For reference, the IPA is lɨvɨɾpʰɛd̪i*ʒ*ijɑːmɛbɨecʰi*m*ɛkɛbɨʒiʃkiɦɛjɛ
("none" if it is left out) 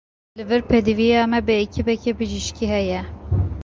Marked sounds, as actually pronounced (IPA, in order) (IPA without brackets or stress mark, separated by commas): v, b